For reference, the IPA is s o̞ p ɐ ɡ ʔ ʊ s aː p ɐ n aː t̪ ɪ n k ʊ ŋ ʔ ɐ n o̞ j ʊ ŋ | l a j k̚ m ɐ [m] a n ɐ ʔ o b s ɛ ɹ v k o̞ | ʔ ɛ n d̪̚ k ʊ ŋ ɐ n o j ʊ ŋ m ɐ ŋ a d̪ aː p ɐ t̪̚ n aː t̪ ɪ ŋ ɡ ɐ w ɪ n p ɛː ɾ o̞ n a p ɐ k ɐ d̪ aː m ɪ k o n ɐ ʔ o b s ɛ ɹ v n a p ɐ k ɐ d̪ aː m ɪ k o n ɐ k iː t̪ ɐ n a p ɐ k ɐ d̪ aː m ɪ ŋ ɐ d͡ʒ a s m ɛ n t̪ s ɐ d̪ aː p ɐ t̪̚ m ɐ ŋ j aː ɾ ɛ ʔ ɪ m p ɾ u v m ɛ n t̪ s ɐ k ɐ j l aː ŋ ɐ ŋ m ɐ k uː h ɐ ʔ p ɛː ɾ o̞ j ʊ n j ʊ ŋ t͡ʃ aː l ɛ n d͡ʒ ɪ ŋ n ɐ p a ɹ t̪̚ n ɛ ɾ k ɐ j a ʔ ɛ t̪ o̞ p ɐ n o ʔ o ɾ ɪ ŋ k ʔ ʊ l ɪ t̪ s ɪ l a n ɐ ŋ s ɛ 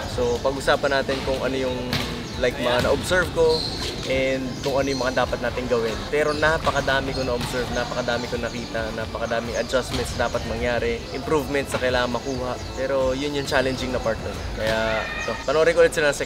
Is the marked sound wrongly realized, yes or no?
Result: yes